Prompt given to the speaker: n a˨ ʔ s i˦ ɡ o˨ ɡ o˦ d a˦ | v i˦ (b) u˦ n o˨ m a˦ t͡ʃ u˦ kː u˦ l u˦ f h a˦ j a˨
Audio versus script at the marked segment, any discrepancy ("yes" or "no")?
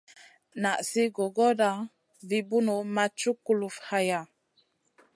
no